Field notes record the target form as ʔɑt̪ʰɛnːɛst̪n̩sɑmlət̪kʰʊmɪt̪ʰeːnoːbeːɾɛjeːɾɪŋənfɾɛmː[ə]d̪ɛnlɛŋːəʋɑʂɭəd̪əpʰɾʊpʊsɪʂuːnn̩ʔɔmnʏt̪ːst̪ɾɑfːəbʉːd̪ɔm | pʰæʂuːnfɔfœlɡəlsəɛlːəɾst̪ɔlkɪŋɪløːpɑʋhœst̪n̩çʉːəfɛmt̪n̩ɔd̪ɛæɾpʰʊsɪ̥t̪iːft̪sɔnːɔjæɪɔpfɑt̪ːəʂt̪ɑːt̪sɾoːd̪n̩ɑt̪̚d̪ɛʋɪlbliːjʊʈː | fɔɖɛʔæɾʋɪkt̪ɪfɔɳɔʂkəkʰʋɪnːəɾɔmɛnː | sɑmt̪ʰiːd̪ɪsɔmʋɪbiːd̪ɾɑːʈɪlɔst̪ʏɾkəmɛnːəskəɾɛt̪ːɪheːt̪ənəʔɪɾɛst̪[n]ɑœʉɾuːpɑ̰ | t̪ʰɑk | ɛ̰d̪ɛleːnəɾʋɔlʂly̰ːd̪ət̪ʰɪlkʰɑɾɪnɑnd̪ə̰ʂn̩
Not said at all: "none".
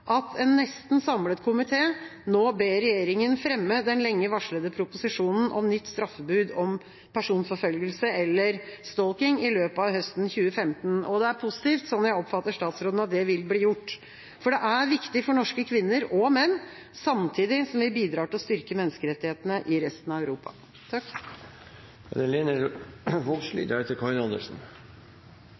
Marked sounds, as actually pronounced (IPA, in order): ə, n

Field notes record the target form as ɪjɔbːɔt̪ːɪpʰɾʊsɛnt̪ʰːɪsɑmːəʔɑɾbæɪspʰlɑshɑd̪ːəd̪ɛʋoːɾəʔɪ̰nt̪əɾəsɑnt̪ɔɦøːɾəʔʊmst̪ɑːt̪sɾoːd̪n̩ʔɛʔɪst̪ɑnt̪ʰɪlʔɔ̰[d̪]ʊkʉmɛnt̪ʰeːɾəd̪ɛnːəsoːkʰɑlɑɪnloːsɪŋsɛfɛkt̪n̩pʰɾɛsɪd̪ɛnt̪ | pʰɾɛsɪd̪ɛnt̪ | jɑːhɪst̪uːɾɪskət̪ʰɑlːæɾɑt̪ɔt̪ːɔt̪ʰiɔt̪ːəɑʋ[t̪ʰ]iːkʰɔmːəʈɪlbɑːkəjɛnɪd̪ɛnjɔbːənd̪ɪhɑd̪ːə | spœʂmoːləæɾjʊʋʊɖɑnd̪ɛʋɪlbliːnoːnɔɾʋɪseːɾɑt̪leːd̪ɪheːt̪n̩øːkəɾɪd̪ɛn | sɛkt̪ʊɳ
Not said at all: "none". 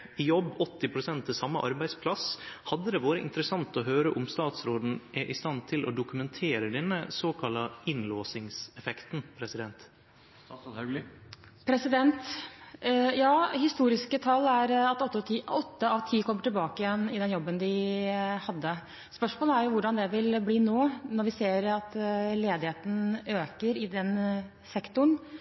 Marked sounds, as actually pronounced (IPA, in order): d̪, t̪ʰ

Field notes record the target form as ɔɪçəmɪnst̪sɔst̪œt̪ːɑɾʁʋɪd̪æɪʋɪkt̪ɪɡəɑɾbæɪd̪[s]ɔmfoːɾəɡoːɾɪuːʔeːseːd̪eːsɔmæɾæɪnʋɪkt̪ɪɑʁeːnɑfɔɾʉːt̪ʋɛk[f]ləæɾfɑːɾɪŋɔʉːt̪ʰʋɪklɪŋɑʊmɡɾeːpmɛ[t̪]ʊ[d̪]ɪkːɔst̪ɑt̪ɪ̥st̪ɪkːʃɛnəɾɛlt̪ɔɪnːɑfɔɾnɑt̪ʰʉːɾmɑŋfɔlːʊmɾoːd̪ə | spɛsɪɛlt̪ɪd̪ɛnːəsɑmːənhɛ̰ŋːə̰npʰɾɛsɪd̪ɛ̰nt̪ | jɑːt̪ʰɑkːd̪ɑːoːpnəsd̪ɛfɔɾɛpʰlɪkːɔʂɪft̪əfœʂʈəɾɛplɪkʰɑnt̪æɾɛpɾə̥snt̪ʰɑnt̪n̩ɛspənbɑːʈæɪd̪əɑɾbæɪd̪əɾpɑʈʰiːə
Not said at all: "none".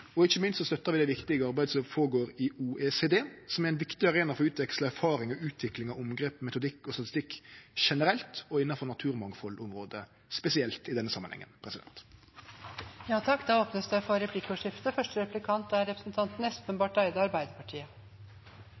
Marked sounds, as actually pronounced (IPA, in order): s, s, t̪, d̪

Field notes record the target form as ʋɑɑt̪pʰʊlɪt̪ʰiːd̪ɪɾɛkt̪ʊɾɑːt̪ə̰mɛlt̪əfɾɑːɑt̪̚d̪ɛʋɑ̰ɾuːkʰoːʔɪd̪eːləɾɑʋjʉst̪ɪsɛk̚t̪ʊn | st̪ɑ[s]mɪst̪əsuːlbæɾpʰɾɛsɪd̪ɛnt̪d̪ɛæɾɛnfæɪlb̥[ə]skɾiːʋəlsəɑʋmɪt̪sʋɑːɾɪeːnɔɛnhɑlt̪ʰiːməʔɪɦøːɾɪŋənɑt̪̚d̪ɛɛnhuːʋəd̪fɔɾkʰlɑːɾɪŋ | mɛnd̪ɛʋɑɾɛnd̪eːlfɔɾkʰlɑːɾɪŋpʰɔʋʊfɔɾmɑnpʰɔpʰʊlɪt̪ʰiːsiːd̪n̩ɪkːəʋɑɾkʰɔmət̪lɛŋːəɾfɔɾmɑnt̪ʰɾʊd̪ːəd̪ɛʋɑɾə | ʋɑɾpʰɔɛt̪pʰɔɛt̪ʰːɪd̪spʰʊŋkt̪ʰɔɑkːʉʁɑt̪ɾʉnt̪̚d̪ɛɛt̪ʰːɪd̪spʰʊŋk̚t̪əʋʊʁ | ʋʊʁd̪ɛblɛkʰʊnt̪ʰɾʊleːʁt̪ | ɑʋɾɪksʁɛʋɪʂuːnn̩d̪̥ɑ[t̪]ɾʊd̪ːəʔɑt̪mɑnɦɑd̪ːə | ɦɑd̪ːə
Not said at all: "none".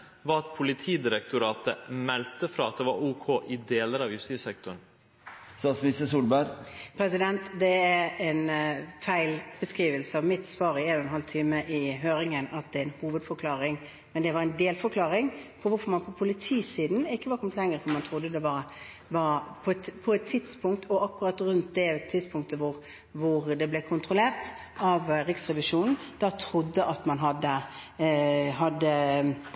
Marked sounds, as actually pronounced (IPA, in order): s, ə, t̪ʰ

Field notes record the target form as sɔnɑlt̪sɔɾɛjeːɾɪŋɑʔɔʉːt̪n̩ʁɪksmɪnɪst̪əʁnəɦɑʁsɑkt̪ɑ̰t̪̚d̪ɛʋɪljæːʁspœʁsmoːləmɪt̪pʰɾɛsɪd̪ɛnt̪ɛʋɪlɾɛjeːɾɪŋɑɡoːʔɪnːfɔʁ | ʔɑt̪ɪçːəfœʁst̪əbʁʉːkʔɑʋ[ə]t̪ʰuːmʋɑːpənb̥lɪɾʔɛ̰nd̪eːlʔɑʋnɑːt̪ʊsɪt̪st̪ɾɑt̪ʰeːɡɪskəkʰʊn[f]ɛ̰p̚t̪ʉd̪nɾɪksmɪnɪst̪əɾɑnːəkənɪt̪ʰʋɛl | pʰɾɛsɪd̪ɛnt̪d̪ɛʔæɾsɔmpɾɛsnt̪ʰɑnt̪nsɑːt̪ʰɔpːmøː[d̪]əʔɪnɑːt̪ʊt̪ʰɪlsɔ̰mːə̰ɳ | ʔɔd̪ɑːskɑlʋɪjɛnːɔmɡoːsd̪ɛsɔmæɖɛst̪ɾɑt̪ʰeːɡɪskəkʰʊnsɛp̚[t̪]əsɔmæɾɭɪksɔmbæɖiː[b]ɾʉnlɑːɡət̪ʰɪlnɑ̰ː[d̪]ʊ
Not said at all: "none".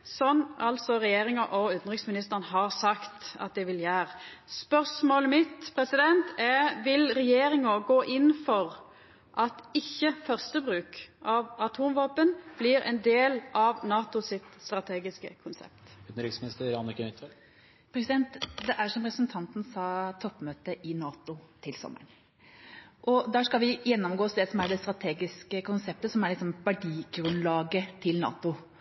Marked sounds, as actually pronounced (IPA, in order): ɑ, s, t̪, t̪, ɡ, t̪

